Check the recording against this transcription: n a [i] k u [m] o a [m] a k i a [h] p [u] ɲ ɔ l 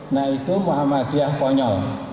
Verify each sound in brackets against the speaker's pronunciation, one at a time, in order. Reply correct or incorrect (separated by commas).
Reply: correct, correct, correct, correct, incorrect